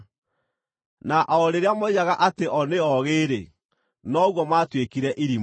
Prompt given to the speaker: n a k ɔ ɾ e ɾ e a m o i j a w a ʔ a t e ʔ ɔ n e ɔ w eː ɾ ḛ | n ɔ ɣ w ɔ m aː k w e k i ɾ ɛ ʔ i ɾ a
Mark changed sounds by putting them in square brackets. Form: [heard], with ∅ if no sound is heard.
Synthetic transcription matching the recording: n a [ʔ] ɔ ɾ e ɾ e a m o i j a [ɣ] a ʔ a t e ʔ ɔ n e ɔ [ɣ] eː ɾ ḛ | n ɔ ɣ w ɔ m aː [t] w e k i ɾ ɛ ʔ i ɾ [i]

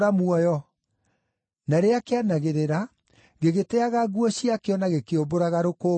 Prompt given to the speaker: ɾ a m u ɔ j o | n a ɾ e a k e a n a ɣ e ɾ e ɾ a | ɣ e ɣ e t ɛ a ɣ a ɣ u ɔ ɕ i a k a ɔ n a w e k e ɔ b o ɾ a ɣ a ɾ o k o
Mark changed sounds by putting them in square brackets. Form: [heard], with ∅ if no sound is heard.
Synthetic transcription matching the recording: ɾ a m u ɔ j [ɔ] | n a ɾ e a k e a n a ɣ e ɾ e ɾ a | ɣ e ɣ e t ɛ a ɣ a ɣ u ɔ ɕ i a k [e] ɔ n a [ɣ] e k e [o] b o ɾ a ɣ a ɾ o k o

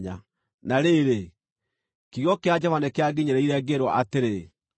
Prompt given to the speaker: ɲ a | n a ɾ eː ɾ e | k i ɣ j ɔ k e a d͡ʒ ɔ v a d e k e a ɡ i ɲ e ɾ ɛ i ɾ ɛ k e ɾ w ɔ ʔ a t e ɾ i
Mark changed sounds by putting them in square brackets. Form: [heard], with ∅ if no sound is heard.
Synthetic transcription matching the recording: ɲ a | n a ɾ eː ɾ e | k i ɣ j ɔ k e a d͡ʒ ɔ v a [n] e k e a ɡ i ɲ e ɾ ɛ i ɾ ɛ [ɡ] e ɾ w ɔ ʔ a t e ɾ [e]

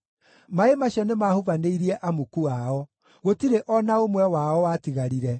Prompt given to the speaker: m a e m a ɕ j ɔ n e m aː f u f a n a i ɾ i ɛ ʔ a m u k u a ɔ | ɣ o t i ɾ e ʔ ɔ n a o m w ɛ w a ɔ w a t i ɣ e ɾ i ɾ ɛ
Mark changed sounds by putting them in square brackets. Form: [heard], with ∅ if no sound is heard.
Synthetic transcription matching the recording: m a e m a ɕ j ɔ n e m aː [h] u [v] a n [e] i ɾ i ɛ ʔ a m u k u a ɔ | ɣ o t i ɾ e ʔ ɔ n a o m w ɛ w a ɔ w a t i ɣ [a] ɾ i ɾ ɛ

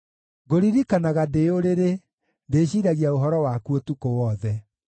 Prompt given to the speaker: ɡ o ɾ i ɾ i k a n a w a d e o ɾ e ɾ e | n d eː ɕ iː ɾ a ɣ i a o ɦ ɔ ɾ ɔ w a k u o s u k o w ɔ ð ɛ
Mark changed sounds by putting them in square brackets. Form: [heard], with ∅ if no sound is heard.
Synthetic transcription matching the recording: ɡ o ɾ i ɾ i k a n a [ɣ] a d e o ɾ e ɾ e | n d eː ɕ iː ɾ a ɣ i a o ɦ ɔ ɾ ɔ w a k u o [t] u k o w ɔ ð ɛ

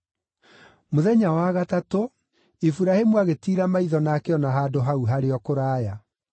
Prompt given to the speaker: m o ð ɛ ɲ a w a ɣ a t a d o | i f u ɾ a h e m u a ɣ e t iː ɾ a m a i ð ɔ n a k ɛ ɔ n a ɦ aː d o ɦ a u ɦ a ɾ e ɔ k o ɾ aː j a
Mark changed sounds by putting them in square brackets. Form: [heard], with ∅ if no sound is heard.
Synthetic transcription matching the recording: m o ð ɛ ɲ a w a ɣ a t a [t] o | i f u ɾ a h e m u a ɣ e t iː ɾ a m a i ð ɔ n a k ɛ ɔ n a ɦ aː d o ɦ a u ɦ a ɾ e ɔ k o ɾ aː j a

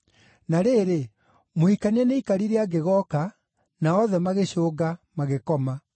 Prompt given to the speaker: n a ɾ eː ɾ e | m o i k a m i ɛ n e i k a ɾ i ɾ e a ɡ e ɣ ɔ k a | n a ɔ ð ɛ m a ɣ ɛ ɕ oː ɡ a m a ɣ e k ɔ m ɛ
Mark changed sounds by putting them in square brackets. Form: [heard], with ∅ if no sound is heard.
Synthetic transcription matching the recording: n a ɾ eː ɾ e | m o i k a [n] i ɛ n e i k a ɾ i ɾ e a ɡ e ɣ ɔ k a | n a ɔ ð ɛ m a ɣ [e] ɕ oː ɡ a m a ɣ e k ɔ m [a]

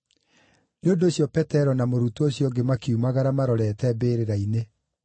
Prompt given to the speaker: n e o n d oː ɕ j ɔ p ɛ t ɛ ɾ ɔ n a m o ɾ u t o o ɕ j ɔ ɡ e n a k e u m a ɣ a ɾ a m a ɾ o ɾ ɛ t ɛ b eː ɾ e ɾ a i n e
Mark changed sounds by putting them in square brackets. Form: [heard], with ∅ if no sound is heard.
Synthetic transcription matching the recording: n e o n d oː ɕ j ɔ p ɛ t ɛ ɾ ɔ n a m o ɾ u t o o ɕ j ɔ ɡ e [m] a k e u m a ɣ a ɾ a m a ɾ [ɔ] ɾ ɛ t ɛ b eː ɾ e ɾ a i n e

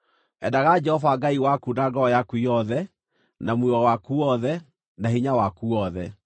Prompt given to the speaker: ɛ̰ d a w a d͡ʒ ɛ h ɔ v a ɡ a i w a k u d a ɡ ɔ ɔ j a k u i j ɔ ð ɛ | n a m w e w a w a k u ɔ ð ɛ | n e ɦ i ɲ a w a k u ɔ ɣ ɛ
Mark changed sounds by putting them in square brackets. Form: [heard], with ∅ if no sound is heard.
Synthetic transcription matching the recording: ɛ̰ d a [ɣ] a d͡ʒ ɛ h ɔ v a ɡ a i w a k u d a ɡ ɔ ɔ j a k u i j ɔ ð ɛ | n a m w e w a w a k u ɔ ð ɛ | n [a] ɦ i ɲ a w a k u ɔ [ð] ɛ

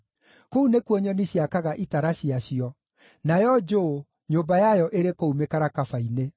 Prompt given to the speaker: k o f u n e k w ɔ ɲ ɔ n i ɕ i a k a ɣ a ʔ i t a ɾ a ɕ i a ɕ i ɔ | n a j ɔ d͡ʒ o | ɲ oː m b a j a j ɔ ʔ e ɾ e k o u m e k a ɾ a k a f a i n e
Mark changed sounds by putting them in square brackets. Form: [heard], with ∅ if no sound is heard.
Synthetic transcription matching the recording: k o [∅] u n e k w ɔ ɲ ɔ n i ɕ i a k a ɣ a ʔ i t a ɾ a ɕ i a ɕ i ɔ | n a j ɔ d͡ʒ o | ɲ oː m b a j a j ɔ ʔ e ɾ e k o u m e k a ɾ a k a f a i n e

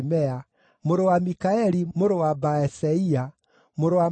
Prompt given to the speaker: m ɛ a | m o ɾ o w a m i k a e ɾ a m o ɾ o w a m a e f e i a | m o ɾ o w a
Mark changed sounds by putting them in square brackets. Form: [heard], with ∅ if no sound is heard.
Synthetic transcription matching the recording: m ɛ a | m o ɾ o w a m i k a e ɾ [i] m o ɾ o w a [b] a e [s] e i a | m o ɾ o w a

